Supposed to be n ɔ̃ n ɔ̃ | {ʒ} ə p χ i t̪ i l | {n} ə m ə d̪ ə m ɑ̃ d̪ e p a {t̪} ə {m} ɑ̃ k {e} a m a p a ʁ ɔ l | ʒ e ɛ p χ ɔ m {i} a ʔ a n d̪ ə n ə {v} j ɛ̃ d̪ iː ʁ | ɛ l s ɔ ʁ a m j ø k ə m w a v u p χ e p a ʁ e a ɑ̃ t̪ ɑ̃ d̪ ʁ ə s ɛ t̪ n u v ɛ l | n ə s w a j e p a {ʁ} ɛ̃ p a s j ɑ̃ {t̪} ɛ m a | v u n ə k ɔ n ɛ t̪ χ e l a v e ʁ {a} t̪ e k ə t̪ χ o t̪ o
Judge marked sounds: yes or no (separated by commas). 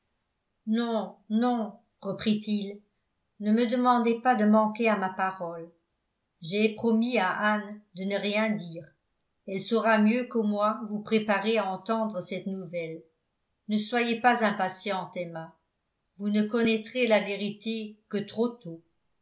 no, yes, no, yes, yes, yes, no, no, yes, no